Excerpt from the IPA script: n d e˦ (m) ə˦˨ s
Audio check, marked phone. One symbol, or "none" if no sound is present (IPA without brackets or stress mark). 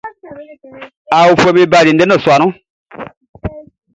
n